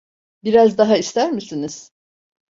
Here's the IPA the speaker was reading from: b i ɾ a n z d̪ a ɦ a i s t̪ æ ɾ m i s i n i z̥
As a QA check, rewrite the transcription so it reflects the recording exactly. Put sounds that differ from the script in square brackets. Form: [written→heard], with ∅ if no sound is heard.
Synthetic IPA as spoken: b i ɾ a [n→∅] z d̪ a ɦ a i s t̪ æ ɾ m i s i n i z̥